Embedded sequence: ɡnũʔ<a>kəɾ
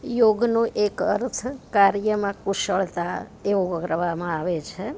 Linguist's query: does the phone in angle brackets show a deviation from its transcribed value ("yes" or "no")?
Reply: yes